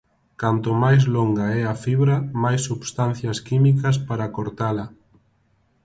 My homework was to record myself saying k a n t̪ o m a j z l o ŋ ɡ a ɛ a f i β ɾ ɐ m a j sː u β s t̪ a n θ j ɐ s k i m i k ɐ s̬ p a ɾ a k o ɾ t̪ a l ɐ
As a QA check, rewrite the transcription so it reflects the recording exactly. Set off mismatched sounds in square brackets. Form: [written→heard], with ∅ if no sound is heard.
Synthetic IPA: k a n t̪ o m a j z l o ŋ ɡ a ɛ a f i β ɾ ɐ m a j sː u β s t̪ a n θ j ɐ s k i m i k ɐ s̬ p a ɾ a k o ɾ t̪ a l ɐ